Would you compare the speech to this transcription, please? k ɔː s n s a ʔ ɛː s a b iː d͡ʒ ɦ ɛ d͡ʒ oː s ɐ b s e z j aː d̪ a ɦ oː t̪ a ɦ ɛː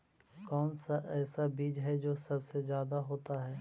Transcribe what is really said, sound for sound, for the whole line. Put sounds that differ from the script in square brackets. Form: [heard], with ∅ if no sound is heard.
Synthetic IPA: k ɔː [∅] n s a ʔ ɛː s a b iː d͡ʒ ɦ ɛ d͡ʒ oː s ɐ b s e z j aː d̪ a ɦ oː t̪ a ɦ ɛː

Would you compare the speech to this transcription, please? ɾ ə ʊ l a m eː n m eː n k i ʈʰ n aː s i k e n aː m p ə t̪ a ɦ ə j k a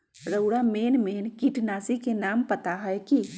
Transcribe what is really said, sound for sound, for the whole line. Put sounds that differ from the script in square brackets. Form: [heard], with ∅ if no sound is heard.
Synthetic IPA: ɾ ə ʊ [ɽ] a m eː n m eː n k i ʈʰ n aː s i k e n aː m p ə t̪ a ɦ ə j k [i]

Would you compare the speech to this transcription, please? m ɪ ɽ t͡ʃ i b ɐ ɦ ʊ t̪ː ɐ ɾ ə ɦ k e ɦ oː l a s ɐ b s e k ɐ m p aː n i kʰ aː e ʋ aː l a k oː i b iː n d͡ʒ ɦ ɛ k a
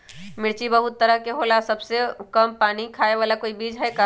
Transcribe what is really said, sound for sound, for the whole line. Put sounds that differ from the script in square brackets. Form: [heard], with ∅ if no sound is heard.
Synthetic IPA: m ɪ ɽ t͡ʃ i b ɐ ɦ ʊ t̪ː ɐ ɾ ə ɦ k e ɦ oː l a s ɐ b s e k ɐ m p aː n i kʰ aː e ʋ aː l a k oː i b iː [∅] d͡ʒ ɦ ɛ k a

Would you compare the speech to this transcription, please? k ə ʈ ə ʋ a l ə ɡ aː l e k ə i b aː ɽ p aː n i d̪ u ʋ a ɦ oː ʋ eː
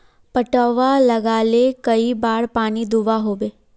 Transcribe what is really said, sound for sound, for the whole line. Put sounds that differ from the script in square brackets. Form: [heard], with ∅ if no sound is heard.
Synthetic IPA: [p] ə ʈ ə ʋ a l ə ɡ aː l e k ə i b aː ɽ p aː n i d̪ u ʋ a ɦ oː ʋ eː

